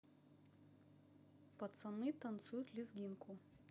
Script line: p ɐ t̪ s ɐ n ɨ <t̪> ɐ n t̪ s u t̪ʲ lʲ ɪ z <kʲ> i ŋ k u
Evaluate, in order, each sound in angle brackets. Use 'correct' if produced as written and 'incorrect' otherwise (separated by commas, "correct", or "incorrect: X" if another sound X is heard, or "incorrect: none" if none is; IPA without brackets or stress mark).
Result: correct, incorrect: ɡʲ